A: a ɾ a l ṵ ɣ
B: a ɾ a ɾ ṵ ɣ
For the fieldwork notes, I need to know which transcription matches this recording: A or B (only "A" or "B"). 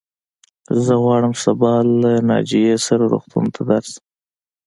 B